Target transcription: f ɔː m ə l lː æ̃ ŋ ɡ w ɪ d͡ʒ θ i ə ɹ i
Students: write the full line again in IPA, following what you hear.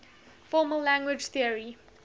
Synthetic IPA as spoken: f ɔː m ə l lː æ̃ ŋ ɡ w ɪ d͡ʒ θ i ə ɹ i